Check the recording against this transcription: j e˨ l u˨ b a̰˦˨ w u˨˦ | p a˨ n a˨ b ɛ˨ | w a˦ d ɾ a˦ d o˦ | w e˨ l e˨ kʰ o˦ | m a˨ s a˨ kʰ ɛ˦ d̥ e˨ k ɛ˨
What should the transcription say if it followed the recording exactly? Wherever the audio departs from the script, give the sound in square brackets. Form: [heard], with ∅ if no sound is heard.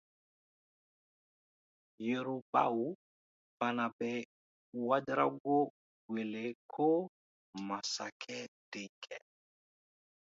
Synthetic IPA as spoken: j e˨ [ɾ] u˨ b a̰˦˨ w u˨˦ | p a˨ n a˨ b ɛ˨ | w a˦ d ɾ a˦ [ɡ] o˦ | w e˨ l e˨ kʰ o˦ | m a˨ s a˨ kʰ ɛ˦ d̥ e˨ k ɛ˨